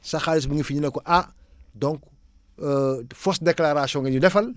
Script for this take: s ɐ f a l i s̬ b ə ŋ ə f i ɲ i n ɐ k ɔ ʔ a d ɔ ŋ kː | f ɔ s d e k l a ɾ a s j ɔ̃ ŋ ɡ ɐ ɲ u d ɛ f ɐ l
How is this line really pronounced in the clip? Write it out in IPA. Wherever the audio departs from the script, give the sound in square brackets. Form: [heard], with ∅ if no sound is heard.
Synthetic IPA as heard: s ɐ [x] a l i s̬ b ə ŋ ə f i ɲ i n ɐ k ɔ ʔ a d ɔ ŋ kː | f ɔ s d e k l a ɾ a s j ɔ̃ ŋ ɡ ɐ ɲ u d ɛ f ɐ l